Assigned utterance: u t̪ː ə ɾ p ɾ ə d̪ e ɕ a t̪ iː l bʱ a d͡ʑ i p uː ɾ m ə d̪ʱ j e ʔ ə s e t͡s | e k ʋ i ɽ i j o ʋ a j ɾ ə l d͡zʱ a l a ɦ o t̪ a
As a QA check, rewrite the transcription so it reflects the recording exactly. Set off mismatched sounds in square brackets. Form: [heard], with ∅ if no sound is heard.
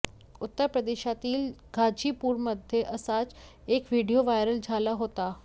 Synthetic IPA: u t̪ː ə ɾ p ɾ ə d̪ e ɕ a t̪ iː l [ɡʱ] a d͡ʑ i p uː ɾ m ə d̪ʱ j e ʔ ə s [a] t͡s | e k ʋ i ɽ i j o ʋ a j ɾ ə l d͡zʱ a l a ɦ o t̪ a